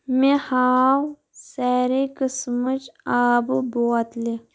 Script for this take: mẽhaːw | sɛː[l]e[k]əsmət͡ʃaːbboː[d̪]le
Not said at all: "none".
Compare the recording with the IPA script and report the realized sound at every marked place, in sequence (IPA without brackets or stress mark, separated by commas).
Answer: ɾ, k, t̪